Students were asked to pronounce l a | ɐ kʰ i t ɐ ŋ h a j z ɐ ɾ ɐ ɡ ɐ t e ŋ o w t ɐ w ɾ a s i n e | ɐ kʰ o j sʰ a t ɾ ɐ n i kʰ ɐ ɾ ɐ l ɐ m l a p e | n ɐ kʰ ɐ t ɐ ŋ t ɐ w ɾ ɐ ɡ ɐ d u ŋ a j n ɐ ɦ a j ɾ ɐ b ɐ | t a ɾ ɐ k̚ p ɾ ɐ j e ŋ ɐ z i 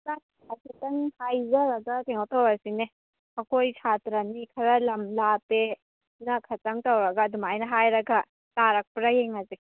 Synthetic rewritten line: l a | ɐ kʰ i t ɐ ŋ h a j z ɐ ɾ ɐ ɡ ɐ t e ŋ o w t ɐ w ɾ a s i n e | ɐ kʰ o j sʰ a t ɾ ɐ n i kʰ ɐ ɾ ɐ l ɐ m l a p e | n ɐ kʰ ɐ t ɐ ŋ t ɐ w ɾ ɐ ɡ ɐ d u m a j n ɐ ɦ a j ɾ ɐ ɡ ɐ | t a ɾ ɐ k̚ p ɾ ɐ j e ŋ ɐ z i